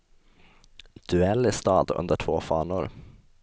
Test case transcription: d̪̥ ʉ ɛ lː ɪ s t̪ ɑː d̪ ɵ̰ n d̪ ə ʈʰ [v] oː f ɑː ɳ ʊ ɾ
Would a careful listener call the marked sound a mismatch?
no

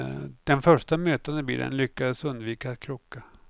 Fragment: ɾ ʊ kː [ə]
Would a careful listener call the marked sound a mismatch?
yes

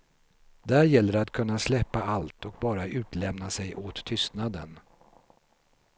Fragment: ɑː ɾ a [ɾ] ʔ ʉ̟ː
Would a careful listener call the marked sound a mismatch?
yes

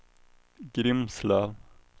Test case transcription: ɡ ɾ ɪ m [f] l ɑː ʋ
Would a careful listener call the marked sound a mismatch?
yes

